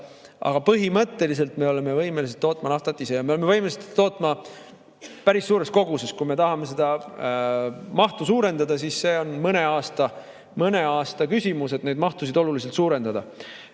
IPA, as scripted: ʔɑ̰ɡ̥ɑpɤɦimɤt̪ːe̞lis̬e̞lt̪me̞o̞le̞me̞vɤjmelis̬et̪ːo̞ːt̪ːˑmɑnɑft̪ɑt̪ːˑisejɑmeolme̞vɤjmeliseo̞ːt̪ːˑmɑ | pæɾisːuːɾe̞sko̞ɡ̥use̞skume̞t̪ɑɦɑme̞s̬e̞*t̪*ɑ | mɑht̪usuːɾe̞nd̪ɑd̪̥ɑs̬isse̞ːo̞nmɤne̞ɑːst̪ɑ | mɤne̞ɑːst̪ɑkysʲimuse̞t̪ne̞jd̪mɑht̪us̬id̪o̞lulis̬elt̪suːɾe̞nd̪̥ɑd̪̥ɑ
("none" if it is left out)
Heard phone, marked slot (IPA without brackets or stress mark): d̪